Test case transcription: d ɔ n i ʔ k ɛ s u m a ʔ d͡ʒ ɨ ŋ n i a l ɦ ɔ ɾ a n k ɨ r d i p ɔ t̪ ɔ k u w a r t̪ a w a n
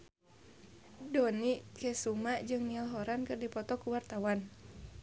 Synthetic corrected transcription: d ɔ n i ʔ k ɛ s u m a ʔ d͡ʒ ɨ ŋ n i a l ɦ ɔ ɾ a n k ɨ r d i p ɔ t̪ ɔ k u w a r t̪ a w a n